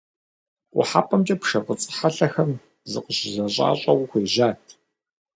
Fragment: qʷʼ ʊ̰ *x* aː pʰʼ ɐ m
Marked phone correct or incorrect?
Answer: incorrect